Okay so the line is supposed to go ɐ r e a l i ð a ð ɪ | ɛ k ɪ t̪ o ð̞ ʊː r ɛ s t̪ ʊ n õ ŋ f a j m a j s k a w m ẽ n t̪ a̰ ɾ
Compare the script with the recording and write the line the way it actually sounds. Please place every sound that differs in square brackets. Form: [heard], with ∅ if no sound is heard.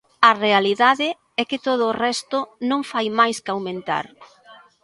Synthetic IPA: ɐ r e a l i ð a ð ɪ | ɛ k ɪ t̪ o ð̞ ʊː r ɛ s t̪ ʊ n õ ŋ f a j m a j s k a w m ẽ n t̪ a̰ ɾ